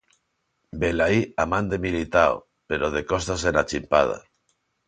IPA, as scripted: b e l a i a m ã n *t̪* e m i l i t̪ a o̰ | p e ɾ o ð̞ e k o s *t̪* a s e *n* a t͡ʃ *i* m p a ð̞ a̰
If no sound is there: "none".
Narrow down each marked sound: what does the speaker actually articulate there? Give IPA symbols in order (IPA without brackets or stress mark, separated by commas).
d̪, t̪, n, i